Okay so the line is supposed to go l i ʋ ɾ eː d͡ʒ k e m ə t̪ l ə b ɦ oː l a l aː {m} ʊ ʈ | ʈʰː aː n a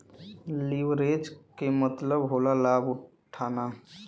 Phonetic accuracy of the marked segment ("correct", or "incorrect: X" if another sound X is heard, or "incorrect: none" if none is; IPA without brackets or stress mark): incorrect: b